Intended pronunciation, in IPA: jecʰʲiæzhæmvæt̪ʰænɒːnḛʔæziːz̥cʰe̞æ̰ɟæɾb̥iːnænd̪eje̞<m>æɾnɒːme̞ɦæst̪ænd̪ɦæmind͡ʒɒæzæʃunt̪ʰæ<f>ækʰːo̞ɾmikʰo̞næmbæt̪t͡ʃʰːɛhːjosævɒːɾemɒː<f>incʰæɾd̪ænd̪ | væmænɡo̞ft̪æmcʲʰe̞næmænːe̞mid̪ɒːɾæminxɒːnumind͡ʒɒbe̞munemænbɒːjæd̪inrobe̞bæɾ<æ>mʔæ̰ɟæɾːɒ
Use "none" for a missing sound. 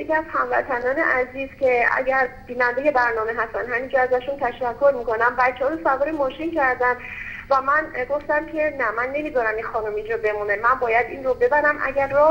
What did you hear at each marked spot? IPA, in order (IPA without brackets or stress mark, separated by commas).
b, ʃ, ʃ, æ